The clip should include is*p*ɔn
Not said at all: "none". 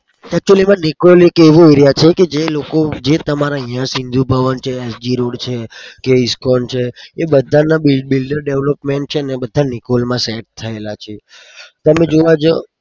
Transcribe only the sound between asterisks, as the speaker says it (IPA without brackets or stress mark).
k